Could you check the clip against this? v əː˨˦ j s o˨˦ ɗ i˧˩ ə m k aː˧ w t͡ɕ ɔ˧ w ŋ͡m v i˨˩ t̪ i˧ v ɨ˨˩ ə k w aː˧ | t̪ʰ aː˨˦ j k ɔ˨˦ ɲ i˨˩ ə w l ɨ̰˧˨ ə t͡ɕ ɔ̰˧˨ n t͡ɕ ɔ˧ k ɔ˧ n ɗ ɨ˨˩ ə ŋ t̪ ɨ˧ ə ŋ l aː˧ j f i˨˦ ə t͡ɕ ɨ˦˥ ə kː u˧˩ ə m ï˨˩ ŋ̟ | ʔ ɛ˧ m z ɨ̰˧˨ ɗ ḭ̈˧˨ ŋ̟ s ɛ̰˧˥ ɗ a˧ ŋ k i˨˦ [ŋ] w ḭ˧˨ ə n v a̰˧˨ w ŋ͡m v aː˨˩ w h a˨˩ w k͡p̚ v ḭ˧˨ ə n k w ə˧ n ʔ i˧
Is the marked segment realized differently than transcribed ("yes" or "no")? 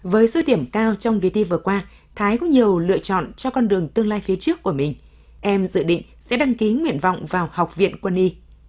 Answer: no